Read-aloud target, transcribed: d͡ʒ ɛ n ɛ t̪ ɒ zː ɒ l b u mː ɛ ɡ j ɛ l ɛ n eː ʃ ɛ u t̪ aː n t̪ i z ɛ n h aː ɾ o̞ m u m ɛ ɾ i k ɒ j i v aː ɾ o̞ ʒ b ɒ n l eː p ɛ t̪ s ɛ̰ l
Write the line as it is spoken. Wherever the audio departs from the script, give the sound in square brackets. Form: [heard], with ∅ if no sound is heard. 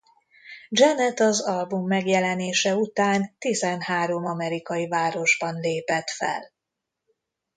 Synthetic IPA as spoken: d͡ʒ ɛ n ɛ t̪ ɒ [z] ɒ l b u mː ɛ ɡ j ɛ l ɛ n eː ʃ ɛ u t̪ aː n t̪ i z ɛ n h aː ɾ o̞ m [ɒ] m ɛ ɾ i k ɒ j i v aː ɾ o̞ ʒ b ɒ n l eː p ɛ t̪ [f] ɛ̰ l

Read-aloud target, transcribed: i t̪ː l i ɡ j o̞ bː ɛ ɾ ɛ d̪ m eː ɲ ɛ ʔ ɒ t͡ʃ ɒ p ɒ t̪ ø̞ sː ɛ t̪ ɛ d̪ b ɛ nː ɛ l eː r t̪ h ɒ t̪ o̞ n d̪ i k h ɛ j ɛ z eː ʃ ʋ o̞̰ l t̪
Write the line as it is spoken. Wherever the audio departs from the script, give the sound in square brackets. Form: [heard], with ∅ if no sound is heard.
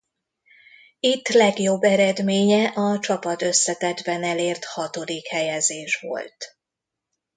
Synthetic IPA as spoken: i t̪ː l [ɛ] ɡ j o̞ bː ɛ ɾ ɛ d̪ m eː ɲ ɛ ʔ ɒ t͡ʃ ɒ p ɒ t̪ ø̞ sː ɛ t̪ ɛ d̪ b ɛ [n] ɛ l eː r t̪ h ɒ t̪ o̞ [∅] d̪ i k h ɛ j ɛ z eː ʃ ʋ o̞̰ l t̪

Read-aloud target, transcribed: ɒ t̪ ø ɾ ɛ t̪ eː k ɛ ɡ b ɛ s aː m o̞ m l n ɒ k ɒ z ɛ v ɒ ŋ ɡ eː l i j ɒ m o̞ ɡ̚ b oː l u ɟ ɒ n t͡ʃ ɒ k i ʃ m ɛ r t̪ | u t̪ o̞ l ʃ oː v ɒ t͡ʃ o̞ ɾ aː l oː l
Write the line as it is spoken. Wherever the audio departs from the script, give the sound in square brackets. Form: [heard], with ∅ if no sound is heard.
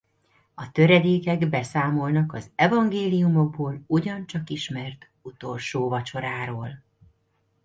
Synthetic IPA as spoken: ɒ t̪ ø ɾ ɛ [d̪] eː k ɛ ɡ b ɛ s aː m o̞ [∅] l n ɒ k ɒ z ɛ v ɒ ŋ ɡ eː l i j [u] m o̞ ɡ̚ b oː l u ɟ ɒ n t͡ʃ ɒ k i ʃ m ɛ r t̪ | u t̪ o̞ l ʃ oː v ɒ t͡ʃ o̞ ɾ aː [ɾ] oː l

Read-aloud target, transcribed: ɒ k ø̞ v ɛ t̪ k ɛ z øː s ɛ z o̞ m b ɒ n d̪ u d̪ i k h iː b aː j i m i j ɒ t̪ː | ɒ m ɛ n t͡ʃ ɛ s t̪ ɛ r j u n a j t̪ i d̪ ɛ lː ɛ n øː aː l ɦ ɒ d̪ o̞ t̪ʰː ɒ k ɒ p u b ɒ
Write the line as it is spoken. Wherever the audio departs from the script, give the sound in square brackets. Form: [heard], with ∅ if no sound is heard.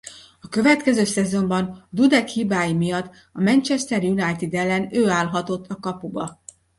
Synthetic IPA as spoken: ɒ k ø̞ v ɛ t̪ k ɛ z øː s ɛ z o̞ m b ɒ n d̪ u d̪ [ɛ] k h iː b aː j i m i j ɒ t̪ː | ɒ m ɛ n t͡ʃ ɛ s t̪ ɛ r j u n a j t̪ i d̪ ɛ lː ɛ n øː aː l ɦ ɒ [t̪] o̞ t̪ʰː ɒ k ɒ p u b ɒ

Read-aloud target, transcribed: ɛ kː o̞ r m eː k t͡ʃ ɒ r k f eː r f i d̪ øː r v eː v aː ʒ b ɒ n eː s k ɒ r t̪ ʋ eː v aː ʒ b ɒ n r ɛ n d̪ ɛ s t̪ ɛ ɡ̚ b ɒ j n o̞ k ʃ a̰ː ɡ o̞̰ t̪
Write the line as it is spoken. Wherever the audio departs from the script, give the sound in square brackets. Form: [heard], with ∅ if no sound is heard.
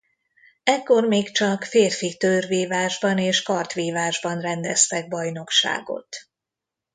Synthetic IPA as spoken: ɛ kː o̞ r m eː k t͡ʃ ɒ [∅] k f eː r f i [t̪] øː r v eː v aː ʒ b ɒ n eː [ʃ] k ɒ r t̪ ʋ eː v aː ʒ b ɒ n r ɛ n d̪ ɛ s t̪ ɛ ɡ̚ b ɒ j n o̞ k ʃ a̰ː ɡ o̞̰ t̪

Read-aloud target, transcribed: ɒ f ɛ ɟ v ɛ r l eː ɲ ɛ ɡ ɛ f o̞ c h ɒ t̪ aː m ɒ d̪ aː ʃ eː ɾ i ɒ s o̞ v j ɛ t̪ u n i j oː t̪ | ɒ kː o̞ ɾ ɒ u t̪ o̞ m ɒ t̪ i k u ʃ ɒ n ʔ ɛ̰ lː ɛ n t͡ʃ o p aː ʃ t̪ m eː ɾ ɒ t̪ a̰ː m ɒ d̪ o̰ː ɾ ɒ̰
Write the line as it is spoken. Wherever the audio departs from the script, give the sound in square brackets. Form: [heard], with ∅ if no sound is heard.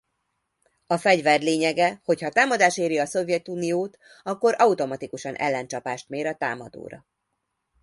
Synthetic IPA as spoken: ɒ f ɛ ɟ v ɛ r l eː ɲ ɛ ɡ ɛ [h] o̞ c h ɒ t̪ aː m ɒ d̪ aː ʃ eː ɾ i ɒ s o̞ v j ɛ t̪ u n i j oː t̪ | ɒ kː o̞ ɾ ɒ u t̪ o̞ m ɒ t̪ i k u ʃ ɒ n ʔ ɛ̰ lː ɛ n t͡ʃ [ɒ] p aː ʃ t̪ m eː ɾ ɒ t̪ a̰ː m ɒ d̪ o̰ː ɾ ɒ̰

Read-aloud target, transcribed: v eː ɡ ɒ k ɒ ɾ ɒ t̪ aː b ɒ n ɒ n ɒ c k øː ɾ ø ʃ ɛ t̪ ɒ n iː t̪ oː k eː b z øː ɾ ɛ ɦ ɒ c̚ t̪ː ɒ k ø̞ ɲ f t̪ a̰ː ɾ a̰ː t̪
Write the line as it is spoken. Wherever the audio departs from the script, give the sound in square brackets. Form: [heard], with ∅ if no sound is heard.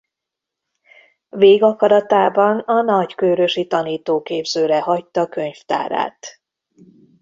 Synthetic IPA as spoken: v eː ɡ ɒ k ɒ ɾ ɒ t̪ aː b ɒ n ɒ n ɒ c k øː ɾ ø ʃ [i] t̪ ɒ n iː t̪ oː k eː b z øː ɾ ɛ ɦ ɒ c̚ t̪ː ɒ k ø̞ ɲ f t̪ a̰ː ɾ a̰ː t̪

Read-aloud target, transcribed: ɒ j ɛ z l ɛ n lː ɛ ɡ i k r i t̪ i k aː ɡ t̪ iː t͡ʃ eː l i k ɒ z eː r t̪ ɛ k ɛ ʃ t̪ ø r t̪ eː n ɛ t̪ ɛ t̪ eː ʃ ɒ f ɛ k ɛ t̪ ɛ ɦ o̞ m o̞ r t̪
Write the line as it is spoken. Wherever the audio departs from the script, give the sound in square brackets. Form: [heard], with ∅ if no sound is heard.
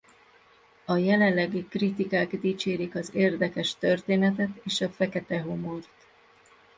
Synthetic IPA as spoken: ɒ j ɛ [∅] l ɛ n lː ɛ ɡ i k r i t̪ i k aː ɡ [d̪] iː t͡ʃ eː [ɾ] i k ɒ z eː r [d̪] ɛ k ɛ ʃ t̪ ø r t̪ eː n ɛ t̪ ɛ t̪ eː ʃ ɒ f ɛ k ɛ t̪ ɛ ɦ o̞ m o̞ r t̪

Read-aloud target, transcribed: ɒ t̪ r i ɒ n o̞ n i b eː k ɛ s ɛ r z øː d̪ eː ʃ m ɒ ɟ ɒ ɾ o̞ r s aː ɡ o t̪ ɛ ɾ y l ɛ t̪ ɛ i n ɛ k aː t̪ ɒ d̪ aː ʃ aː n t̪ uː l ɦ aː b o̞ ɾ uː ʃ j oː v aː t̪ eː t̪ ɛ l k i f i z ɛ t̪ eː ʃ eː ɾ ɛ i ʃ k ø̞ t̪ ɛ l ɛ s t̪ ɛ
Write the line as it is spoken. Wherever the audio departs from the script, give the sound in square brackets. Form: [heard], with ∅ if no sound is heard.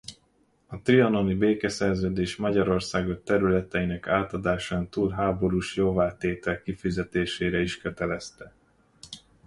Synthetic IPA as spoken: ɒ t̪ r i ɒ n o̞ n i b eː k ɛ s ɛ r z øː d̪ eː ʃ m ɒ ɟ ɒ ɾ o̞ r s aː ɡ o t̪ ɛ ɾ y l ɛ t̪ ɛ i n ɛ k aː t̪ ɒ d̪ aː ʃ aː n t̪ uː l ɦ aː b o̞ ɾ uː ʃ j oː v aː t̪ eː t̪ ɛ l k i f i z ɛ t̪ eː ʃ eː ɾ ɛ i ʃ k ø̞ t̪ ɛ l ɛ s t̪ ɛ

